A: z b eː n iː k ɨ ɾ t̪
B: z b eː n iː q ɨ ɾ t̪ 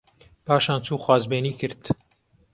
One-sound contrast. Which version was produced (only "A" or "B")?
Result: A